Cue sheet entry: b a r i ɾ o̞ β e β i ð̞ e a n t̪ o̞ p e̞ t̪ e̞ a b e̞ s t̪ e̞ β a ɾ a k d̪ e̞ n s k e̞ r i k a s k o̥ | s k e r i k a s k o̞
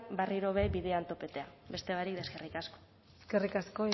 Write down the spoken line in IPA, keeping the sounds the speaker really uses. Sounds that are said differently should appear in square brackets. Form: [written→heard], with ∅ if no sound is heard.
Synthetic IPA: b a r i ɾ o̞ β e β i ð̞ e a n t̪ o̞ p e̞ t̪ e̞ a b e̞ s t̪ e̞ β a ɾ [a→i] k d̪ e̞ [n→∅] s k e̞ r i k a s k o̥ | s k e r i k a s k o̞